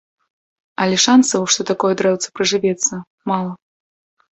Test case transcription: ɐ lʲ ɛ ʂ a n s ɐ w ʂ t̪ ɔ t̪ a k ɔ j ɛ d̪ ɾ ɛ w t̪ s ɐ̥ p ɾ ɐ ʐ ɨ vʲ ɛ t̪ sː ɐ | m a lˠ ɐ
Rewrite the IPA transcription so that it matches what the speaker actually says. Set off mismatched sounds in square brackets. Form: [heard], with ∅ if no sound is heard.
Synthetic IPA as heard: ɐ lʲ ɛ ʂ a n s ɐ w ʂ t̪ ɔ t̪ a k ɔ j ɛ d̪ ɾ ɛ w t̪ s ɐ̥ p ɾ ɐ ʐ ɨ vʲ ɛ t̪ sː ɐ | m a lˠ ɐ